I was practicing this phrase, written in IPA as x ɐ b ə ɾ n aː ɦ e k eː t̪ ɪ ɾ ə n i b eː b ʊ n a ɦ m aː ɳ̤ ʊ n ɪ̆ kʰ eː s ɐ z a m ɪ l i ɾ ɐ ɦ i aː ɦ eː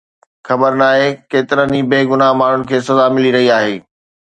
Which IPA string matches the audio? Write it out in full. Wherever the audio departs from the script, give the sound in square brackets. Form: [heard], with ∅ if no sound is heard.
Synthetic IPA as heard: x ɐ b ə ɾ n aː ɦ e k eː t̪ ɪ ɾ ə n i b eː [ɡ] ʊ n a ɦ m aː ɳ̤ ʊ n ɪ̆ kʰ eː s ɐ z a m ɪ l i ɾ ɐ ɦ i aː ɦ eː